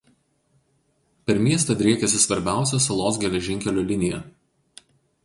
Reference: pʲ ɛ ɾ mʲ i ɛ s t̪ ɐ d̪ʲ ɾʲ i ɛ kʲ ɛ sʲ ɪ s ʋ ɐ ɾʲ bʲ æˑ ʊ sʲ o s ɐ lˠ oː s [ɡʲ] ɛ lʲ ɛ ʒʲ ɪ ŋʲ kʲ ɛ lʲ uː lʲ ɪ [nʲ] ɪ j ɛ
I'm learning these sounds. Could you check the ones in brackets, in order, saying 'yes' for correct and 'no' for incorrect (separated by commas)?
yes, yes